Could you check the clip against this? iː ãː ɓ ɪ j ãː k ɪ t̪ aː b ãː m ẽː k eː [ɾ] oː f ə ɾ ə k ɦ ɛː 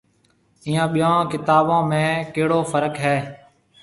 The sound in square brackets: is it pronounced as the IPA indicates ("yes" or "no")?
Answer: no